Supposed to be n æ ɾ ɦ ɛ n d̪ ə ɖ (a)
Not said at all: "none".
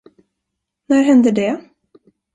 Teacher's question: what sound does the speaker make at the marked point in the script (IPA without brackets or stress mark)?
ɛ